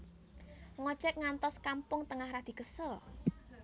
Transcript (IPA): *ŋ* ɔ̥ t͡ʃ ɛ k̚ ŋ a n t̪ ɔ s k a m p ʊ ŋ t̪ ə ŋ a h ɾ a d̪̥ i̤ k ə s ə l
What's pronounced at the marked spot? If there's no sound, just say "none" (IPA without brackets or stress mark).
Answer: ŋ